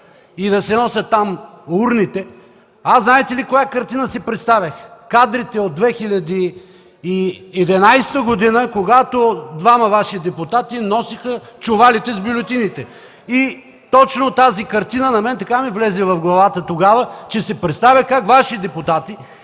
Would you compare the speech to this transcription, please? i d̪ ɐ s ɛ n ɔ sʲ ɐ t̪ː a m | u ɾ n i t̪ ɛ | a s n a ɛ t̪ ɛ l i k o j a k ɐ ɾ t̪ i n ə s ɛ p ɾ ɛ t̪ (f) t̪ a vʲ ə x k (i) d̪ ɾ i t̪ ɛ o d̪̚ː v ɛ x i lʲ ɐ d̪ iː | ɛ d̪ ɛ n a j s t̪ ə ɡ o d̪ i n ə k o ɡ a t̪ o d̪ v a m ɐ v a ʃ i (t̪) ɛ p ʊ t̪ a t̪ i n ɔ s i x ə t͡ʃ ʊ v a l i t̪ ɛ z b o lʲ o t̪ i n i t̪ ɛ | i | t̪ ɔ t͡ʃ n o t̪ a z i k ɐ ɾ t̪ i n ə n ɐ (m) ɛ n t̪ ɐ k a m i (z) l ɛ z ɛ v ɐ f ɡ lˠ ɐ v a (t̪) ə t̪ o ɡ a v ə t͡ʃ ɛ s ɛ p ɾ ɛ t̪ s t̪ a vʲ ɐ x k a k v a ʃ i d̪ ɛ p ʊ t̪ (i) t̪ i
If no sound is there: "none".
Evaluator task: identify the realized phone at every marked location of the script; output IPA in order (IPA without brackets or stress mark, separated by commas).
s, a, d̪, m, v, t̪, a